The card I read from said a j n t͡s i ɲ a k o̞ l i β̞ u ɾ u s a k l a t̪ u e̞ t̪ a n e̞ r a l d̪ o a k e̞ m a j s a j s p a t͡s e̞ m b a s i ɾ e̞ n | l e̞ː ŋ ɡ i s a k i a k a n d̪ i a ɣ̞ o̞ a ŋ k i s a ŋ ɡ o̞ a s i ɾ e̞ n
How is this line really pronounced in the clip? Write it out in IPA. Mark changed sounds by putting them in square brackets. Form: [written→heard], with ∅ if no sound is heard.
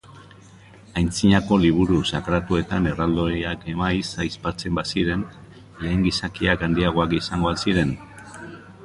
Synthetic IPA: a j n t͡s i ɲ a k o̞ l i β̞ u ɾ u s a k [l→ɾ] a t̪ u e̞ t̪ a n e̞ r a l d̪ o a k e̞ m a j s a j s p a t͡s e̞ m b a s i ɾ e̞ n | l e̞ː ŋ ɡ i s a k i a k a n d̪ i a ɣ̞ o̞ a [ŋ→∅] k i s a ŋ ɡ o̞ a s i ɾ e̞ n